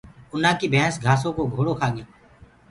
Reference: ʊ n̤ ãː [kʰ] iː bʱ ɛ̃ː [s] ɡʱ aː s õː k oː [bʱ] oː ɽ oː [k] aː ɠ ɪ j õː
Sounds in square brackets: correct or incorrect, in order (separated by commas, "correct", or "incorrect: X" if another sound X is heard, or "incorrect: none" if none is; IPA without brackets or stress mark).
incorrect: k, correct, incorrect: ɡʱ, incorrect: kʰ